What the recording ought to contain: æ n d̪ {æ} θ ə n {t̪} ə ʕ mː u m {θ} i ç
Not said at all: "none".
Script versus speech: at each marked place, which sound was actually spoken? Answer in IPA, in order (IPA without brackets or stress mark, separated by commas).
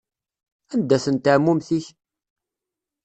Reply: æ, t̪, θ